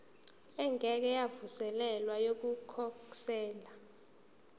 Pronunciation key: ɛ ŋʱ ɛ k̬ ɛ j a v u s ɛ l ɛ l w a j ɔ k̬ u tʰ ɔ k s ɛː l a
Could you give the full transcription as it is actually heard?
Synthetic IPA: ɛ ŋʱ ɛ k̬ ɛ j a v u s ɛ l ɛ l w a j o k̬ u kʰ ɔ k s ɛː l a